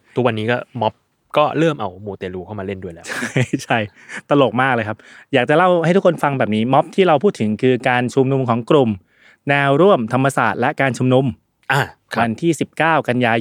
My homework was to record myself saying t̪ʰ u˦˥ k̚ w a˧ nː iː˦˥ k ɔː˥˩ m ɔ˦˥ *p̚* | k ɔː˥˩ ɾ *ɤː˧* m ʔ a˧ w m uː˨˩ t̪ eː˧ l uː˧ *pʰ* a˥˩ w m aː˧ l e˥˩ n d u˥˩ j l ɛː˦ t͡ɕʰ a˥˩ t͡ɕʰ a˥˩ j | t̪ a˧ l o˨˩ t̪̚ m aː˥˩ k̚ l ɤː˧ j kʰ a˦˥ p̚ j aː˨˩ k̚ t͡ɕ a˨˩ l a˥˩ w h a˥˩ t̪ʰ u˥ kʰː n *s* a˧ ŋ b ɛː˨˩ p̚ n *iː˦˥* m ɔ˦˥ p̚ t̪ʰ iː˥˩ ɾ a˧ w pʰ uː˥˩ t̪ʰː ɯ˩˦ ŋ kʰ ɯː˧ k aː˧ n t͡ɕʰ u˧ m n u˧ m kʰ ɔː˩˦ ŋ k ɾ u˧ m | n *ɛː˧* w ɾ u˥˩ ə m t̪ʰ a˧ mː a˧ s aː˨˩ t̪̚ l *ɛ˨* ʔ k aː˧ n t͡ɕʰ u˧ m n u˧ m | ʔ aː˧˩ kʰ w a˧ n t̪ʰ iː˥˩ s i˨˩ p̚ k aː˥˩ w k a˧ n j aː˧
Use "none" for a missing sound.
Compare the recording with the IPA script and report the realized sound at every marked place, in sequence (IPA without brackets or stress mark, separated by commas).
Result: p̚, ɤː˥˩, kʰ, f, iː˦˥, ɛː˧, ɛ˦˥